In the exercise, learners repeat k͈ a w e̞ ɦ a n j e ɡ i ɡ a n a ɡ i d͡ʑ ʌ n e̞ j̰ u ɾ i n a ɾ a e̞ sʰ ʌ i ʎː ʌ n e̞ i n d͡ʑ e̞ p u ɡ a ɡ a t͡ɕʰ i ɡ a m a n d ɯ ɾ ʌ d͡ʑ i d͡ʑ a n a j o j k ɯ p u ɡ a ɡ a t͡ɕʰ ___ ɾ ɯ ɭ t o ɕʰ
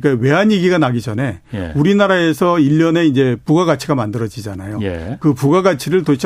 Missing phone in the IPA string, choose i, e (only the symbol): i